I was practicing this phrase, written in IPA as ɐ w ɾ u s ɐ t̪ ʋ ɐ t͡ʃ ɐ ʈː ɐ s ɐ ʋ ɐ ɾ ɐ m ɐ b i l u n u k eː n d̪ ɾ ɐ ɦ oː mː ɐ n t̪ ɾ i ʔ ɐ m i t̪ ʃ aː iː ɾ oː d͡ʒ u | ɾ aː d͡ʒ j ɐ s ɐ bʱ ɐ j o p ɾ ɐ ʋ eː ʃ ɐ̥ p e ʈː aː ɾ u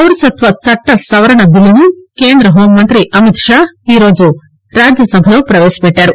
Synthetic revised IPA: ɐ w ɾ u s ɐ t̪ ʋ ɐ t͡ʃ ɐ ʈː ɐ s ɐ ʋ ɐ ɾ ɐ ɳ ɐ b i l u n u k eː n d̪ ɾ ɐ ɦ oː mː ɐ n t̪ ɾ i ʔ ɐ m i t̪ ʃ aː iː ɾ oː d͡ʒ u | ɾ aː d͡ʒ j ɐ s ɐ bʱ ɐ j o p ɾ ɐ ʋ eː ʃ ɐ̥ p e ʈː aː ɾ u

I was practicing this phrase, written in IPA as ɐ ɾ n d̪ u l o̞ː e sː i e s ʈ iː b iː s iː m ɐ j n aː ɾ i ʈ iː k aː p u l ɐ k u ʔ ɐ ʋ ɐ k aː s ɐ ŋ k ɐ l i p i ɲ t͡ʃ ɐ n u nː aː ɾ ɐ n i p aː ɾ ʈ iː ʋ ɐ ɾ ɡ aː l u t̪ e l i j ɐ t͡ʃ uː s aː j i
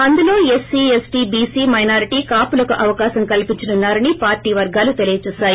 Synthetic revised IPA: ɐ n d̪ u l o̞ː e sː i e s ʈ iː b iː s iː m ɐ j n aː ɾ i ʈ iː k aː p u l ɐ k u ʔ ɐ ʋ ɐ k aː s ɐ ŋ k ɐ l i p i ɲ t͡ʃ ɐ n u nː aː ɾ ɐ n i p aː ɾ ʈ iː ʋ ɐ ɾ ɡ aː l u t̪ e l i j ɐ t͡ʃ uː s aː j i

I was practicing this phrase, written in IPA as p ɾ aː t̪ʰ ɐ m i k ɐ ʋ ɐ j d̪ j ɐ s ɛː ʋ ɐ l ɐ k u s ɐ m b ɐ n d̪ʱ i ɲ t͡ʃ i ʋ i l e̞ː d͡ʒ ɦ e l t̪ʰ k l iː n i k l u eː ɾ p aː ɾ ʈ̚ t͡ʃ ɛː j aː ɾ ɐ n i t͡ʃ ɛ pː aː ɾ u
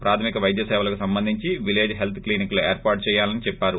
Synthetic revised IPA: p ɾ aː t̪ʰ ɐ m i k ɐ ʋ ɐ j d̪ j ɐ s ɛː ʋ ɐ l ɐ k u s ɐ m b ɐ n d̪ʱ i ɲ t͡ʃ i ʋ i l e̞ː d͡ʒ ɦ e l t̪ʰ k l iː n i k l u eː ɾ p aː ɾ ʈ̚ t͡ʃ ɛː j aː l ɐ n i t͡ʃ ɛ pː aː ɾ u

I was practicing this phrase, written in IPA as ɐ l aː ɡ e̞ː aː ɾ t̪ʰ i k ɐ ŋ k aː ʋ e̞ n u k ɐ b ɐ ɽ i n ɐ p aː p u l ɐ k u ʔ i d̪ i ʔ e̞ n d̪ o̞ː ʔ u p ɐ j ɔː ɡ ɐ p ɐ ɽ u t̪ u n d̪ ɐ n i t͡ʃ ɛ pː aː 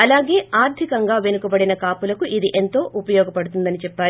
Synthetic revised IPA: ɐ l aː ɡ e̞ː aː ɾ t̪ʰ i k ɐ ŋ ɡ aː ʋ e̞ n u k ɐ b ɐ ɽ i n ɐ k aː p u l ɐ k u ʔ i d̪ i ʔ e̞ n t̪ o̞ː ʔ u p ɐ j ɔː ɡ ɐ p ɐ ɽ u t̪ u n d̪ ɐ n i t͡ʃ ɛ pː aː

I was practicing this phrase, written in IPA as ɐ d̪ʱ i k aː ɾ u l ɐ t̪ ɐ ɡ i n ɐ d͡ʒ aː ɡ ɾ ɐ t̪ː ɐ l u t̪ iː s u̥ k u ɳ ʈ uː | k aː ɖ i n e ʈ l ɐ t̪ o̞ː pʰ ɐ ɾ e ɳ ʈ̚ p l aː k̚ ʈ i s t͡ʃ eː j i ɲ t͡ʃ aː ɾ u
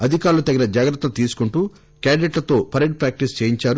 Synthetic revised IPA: ɐ d̪ʱ i k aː ɾ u l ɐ t̪ ɐ ɡ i n ɐ d͡ʒ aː ɡ ɾ ɐ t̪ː ɐ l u t̪ iː s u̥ k u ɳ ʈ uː | k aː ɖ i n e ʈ l ɐ t̪ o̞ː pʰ ɐ ɾ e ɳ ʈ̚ p ɾ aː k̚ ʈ i s t͡ʃ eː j i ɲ t͡ʃ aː ɾ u

